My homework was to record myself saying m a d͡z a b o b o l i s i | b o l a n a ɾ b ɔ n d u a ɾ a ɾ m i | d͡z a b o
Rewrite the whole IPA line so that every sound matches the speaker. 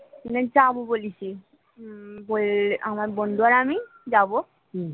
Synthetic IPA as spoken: n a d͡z a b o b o l i s i | b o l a m a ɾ b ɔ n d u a ɾ a m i | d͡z a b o

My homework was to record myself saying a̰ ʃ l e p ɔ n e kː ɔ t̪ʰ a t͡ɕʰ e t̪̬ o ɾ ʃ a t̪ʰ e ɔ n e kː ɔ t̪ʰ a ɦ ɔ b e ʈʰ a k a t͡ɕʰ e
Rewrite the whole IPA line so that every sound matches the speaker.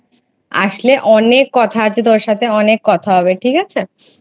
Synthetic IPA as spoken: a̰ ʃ l e ʔ ɔ n e kː ɔ t̪ʰ a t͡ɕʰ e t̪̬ o ɾ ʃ a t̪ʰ e ɔ n e kː ɔ t̪ʰ a ɦ ɔ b e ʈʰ i k a t͡ɕʰ e

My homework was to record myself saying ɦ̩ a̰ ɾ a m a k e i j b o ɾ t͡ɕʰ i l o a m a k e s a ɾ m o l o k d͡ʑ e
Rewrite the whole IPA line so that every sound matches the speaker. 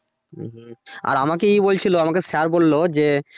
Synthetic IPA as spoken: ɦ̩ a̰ ɾ a m a k e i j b o l t͡ɕʰ i l o a m a k e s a ɾ b o lː o d͡ʑ e

